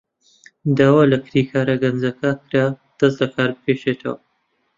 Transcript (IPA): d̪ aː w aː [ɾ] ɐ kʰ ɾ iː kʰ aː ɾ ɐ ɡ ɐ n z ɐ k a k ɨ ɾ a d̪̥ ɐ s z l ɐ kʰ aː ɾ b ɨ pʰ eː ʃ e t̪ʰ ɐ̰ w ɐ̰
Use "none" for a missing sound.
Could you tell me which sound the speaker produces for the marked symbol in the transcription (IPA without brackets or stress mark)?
l